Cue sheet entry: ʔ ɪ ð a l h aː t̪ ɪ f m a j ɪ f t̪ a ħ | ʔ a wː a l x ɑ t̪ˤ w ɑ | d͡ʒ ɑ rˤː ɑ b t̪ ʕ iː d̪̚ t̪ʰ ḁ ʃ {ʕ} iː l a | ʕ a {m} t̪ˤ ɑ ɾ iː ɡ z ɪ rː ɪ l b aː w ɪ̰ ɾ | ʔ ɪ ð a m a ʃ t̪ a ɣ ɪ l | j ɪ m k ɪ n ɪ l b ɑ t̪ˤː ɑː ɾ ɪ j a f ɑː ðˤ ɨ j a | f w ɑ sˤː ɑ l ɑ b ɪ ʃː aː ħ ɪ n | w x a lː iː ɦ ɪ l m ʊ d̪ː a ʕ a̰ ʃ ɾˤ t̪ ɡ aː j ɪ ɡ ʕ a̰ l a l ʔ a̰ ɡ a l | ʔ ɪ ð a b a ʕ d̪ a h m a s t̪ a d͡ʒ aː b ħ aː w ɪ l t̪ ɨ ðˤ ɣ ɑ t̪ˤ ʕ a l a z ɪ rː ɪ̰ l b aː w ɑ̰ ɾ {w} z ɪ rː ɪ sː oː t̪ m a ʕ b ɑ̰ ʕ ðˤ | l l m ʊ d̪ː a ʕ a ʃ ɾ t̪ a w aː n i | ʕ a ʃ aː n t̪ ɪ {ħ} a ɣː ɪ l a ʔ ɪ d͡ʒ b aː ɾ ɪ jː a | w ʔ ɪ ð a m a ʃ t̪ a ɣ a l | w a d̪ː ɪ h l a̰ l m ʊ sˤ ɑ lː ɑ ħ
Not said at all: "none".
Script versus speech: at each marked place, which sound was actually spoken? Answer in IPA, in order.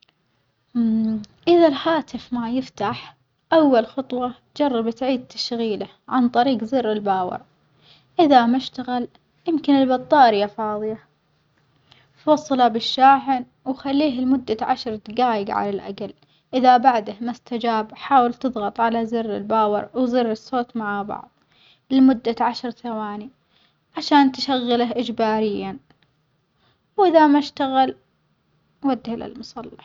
ɣ, n, w, ʃ

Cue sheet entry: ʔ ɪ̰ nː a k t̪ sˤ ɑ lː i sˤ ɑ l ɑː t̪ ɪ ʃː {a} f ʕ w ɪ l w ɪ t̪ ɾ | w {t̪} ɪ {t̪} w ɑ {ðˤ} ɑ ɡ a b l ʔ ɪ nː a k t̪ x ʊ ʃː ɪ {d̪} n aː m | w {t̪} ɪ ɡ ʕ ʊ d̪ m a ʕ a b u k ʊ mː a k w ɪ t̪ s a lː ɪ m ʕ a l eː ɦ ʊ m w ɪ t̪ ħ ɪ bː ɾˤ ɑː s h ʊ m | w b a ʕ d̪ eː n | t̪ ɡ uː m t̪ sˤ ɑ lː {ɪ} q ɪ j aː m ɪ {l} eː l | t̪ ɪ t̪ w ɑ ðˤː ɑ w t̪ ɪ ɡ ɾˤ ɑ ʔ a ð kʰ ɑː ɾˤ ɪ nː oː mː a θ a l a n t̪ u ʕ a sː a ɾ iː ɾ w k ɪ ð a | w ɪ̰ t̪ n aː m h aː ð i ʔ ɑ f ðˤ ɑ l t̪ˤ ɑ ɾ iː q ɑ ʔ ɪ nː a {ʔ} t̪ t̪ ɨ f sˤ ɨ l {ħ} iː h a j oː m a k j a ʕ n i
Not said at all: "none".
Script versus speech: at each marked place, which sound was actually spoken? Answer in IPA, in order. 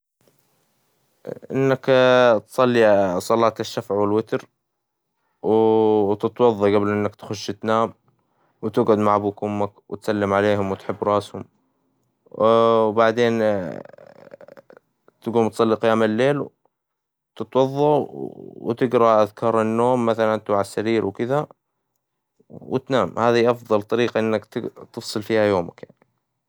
a, t̪, t̪, ðˤː, t̪, t̪, i, lː, k, f

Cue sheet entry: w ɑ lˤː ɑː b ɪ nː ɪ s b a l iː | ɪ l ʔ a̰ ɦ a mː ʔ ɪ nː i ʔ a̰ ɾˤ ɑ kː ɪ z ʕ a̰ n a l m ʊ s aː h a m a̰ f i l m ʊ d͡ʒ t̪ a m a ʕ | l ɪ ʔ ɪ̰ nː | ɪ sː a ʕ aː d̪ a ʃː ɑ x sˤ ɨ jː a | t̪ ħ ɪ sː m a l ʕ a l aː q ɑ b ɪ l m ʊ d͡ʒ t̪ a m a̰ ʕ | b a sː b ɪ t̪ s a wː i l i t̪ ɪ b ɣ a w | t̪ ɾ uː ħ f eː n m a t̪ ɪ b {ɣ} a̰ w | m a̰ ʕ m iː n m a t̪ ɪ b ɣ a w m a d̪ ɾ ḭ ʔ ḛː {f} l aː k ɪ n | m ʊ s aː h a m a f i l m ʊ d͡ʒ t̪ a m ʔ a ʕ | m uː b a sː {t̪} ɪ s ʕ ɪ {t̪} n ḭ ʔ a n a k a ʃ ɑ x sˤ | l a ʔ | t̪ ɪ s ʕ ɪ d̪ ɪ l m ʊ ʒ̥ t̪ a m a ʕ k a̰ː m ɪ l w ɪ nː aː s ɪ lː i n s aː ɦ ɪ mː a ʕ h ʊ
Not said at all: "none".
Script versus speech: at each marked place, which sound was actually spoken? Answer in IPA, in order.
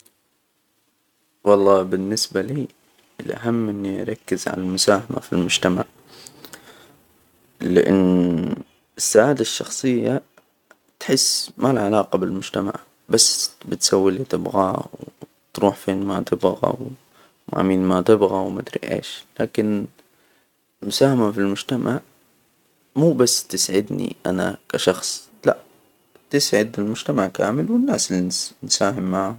ɣ, ʃ, t̪, d̪

